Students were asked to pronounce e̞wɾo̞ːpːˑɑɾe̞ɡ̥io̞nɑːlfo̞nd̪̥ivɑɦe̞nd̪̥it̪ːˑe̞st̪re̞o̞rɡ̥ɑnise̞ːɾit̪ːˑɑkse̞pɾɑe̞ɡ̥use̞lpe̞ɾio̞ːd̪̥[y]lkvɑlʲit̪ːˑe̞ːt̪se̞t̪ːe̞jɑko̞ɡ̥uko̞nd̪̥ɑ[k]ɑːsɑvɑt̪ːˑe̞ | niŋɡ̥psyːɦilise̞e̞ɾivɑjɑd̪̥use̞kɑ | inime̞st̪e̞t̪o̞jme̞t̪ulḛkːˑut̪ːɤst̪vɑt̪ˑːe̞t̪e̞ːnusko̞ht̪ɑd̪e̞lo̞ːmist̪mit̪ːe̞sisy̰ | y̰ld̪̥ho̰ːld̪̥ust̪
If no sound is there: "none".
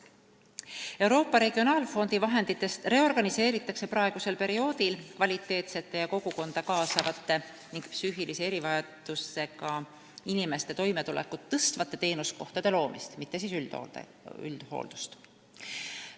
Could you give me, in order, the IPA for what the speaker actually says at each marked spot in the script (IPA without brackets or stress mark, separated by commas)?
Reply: i, k